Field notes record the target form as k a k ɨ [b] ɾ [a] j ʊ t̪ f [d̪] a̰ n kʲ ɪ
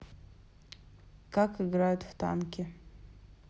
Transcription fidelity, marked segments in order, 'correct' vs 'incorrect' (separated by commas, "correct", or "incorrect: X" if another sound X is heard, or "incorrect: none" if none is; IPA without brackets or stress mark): incorrect: ɡ, correct, incorrect: t̪